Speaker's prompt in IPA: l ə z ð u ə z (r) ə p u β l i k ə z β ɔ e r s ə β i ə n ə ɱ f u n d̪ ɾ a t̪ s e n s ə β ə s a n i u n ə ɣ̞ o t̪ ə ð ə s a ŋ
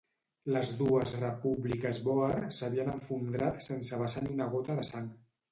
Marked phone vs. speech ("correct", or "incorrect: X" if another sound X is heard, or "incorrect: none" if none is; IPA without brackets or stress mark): correct